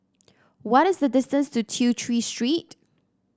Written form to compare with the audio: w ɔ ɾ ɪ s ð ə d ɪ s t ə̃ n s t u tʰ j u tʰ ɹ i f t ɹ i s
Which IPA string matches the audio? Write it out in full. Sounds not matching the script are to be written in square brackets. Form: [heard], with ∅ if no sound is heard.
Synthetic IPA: w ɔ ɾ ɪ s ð ə d ɪ s t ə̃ n s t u tʰ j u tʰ ɹ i [s] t ɹ i [t]

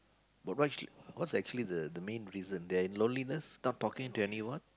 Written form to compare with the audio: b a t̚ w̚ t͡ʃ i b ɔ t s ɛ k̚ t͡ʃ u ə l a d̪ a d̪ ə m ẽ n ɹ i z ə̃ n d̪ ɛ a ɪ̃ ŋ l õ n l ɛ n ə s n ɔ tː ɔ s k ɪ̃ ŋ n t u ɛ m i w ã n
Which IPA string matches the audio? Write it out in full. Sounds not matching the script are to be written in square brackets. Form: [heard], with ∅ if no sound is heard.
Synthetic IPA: b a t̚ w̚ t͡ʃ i [w] ɔ t s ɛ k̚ t͡ʃ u ə l [i] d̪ [ə] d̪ ə m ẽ n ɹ i z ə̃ n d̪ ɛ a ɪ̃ [n] l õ n l [i] n ə s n ɔ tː ɔ [∅] k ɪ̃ ŋ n t u ɛ [n] i w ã n

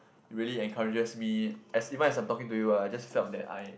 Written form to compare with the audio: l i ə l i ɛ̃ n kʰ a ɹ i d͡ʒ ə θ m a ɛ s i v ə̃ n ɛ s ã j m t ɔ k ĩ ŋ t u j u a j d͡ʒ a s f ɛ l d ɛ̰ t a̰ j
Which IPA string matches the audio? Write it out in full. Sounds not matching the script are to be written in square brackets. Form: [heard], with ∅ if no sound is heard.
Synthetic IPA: [ɹ] i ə l i ɛ̃ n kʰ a ɹ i d͡ʒ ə [s] m [i] ɛ s i v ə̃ n ɛ s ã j m t ɔ k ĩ ŋ t u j u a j d͡ʒ a s f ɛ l d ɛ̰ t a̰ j

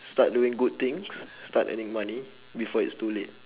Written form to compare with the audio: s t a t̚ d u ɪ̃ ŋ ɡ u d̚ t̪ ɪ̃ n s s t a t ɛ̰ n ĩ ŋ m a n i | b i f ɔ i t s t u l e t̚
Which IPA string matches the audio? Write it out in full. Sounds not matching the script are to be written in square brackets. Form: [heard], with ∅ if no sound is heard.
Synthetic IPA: s t a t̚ d u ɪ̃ ŋ ɡ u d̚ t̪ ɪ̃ [ŋ] s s t a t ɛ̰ n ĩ ŋ m a n i | b i f ɔ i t s t u l e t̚

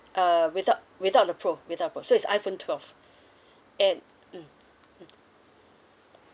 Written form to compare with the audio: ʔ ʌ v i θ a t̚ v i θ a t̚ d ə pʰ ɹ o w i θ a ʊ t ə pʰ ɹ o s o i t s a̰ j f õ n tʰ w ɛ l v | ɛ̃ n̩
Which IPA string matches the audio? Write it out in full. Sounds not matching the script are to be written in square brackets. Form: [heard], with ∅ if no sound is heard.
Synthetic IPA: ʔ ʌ [w] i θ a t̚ [w] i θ a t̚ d ə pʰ ɹ o w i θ a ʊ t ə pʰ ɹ o s o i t s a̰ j f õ n tʰ w ɛ l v | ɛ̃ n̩

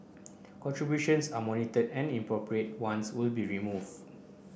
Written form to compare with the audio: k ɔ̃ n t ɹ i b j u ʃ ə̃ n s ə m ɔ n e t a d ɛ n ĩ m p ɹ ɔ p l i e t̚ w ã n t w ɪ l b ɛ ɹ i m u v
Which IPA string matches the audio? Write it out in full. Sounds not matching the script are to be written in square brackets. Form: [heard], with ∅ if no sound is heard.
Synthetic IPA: k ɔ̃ n t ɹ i b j u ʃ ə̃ n s [a] m ɔ n [i] t [ə] d [ɛ̃] n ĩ m p ɹ ɔ p [ɹ] i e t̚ w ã n [s] w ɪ l b [i] ɹ i m u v

